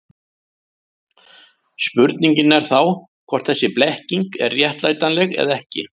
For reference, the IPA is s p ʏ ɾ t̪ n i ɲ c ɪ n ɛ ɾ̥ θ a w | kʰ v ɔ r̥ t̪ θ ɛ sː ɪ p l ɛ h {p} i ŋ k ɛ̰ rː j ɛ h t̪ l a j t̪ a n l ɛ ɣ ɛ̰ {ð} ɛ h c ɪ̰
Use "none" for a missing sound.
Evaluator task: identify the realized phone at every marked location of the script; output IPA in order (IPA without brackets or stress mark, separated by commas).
c, ð